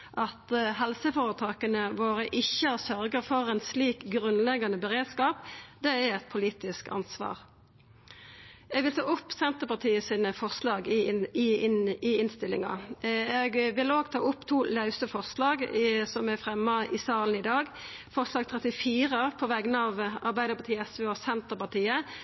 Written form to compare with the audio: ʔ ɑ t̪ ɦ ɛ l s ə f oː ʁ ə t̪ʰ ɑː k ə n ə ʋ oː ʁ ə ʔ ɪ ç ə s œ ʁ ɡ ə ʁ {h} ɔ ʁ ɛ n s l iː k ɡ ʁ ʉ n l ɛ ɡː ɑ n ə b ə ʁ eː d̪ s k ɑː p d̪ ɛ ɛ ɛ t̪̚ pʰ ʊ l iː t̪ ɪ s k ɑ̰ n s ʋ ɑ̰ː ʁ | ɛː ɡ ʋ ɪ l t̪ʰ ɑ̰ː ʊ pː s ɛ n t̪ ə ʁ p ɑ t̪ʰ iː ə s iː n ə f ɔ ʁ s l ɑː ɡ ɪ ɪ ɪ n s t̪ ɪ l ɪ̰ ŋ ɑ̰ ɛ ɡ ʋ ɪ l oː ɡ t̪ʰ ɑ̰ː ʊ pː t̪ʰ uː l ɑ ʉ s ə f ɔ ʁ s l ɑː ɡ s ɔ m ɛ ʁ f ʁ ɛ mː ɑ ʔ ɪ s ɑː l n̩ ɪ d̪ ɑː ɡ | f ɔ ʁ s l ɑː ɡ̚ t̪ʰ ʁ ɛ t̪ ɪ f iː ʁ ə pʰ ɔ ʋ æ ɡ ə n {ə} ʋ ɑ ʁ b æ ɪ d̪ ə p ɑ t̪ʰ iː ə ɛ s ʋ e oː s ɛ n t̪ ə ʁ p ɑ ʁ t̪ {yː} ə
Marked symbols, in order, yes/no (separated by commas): no, no, no